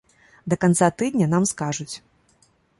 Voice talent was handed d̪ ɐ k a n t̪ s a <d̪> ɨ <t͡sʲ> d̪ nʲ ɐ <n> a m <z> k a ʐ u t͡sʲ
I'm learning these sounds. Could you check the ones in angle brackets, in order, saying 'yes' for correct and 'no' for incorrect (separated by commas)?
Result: no, no, yes, no